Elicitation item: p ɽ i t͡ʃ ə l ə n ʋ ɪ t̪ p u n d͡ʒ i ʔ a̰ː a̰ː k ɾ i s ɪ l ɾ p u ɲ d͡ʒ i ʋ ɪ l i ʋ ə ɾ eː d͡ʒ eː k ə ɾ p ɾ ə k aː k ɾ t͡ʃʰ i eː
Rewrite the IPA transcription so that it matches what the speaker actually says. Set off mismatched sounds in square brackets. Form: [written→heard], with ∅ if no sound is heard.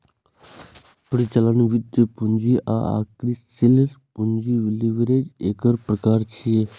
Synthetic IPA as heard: p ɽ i t͡ʃ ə l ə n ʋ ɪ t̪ p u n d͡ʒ i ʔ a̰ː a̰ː k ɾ i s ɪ l ɾ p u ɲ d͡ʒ i ʋ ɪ l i ʋ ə ɾ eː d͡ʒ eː k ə ɾ p ɾ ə k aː [k→∅] ɾ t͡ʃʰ i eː